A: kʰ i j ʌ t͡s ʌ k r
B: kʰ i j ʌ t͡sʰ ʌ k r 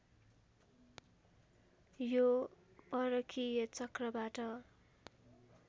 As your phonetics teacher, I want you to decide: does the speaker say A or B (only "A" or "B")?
A